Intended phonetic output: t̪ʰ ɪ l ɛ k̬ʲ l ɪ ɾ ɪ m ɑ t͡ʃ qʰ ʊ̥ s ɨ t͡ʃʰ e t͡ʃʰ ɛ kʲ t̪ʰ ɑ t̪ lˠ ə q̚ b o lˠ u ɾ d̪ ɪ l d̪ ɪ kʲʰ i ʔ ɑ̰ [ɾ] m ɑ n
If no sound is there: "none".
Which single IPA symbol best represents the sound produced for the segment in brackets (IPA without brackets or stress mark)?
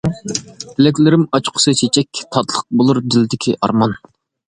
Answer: ɾ